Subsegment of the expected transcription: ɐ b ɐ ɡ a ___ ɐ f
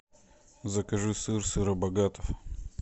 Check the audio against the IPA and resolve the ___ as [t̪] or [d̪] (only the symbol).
t̪